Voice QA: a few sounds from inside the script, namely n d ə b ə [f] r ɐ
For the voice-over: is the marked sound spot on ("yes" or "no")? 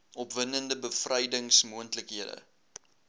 yes